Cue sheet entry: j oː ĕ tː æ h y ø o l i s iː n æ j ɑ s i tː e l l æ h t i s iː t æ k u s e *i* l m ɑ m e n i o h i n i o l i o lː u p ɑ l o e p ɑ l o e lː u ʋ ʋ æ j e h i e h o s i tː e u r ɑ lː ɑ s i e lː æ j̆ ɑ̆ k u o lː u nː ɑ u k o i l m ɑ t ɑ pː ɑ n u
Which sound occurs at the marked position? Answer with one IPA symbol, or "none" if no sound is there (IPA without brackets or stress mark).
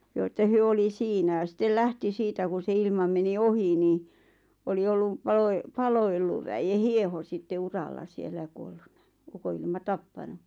i